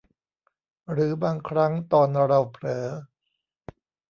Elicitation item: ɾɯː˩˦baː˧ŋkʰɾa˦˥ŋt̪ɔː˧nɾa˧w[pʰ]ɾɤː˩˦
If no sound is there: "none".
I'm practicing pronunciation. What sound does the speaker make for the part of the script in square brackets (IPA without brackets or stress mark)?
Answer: pʰ